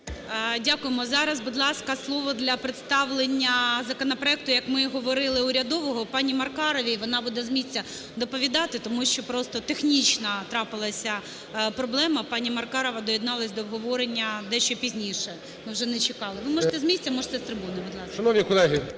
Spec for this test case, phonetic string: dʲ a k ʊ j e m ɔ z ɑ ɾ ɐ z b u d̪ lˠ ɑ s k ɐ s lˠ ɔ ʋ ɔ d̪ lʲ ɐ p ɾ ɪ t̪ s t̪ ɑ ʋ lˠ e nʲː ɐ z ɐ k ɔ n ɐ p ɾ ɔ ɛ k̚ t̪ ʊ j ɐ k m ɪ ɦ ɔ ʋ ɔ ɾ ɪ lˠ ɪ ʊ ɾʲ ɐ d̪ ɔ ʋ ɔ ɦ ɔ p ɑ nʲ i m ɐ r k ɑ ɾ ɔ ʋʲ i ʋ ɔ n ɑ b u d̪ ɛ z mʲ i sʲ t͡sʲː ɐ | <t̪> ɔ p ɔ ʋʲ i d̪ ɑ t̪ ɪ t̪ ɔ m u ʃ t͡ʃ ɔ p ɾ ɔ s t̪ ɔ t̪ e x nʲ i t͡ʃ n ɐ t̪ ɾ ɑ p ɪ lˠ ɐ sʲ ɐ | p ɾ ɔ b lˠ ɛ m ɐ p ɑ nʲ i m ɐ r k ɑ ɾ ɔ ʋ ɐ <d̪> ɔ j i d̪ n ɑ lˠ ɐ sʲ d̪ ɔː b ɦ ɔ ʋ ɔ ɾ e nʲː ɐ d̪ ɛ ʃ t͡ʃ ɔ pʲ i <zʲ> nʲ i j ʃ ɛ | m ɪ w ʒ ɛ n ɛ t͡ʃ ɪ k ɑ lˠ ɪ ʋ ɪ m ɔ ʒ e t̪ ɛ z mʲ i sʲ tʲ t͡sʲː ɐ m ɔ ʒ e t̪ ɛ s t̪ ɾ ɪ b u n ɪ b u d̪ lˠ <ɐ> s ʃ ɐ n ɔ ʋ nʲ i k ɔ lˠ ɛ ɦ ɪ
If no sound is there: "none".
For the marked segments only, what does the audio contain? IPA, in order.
d̪, d̪, zʲ, ɑ

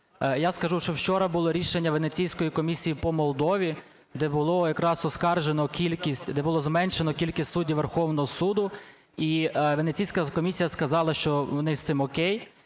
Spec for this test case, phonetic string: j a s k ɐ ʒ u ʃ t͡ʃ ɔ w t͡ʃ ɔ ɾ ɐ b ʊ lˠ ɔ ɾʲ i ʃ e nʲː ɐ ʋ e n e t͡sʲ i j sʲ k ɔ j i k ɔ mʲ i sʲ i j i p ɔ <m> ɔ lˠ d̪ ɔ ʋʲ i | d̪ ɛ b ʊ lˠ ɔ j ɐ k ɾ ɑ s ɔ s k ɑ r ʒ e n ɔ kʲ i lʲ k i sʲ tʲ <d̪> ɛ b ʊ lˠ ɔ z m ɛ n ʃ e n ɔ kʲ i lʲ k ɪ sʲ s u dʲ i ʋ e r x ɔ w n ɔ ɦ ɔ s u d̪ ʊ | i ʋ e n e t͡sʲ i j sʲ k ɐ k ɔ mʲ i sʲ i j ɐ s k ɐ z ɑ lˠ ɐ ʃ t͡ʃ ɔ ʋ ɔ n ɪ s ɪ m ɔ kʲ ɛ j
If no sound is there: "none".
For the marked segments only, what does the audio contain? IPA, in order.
m, d̪

